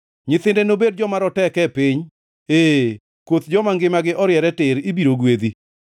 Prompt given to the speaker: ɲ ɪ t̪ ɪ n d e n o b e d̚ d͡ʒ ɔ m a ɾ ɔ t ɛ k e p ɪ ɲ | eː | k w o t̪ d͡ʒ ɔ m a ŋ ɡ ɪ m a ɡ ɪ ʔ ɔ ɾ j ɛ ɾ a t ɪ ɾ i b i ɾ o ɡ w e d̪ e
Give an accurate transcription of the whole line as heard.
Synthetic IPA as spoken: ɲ ɪ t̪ ɪ n d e n o b e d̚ d͡ʒ ɔ m a ɾ ɔ t ɛ k ɛ p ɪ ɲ | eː | k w o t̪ d͡ʒ ɔ m a ŋ ɡ ɪ m a ɡ ɪ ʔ ɔ ɾ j ɛ ɾ ɛ t ɪ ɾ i b i ɾ o ɡ w e d̪ i